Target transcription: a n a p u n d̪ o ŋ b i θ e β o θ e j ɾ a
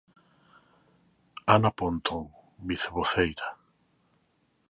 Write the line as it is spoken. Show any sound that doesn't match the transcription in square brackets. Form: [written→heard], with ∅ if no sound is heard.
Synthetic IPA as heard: a n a p [u→o] n [d̪→t̪] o ŋ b i θ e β o θ e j ɾ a